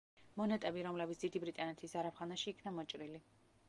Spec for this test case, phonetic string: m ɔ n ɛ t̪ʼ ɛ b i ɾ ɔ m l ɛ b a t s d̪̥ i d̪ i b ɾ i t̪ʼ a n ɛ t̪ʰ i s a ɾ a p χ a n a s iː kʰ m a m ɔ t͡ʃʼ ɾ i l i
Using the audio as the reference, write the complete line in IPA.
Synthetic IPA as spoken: m ɔ n ɛ t̪ʼ ɛ b i ɾ ɔ m l ɛ b i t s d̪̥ i d̪ i b ɾ i t̪ʼ a n ɛ t̪ʰ i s a ɾ a p χ a n a ʃ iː kʰ n a m ɔ t͡ʃʼ ɾ i l i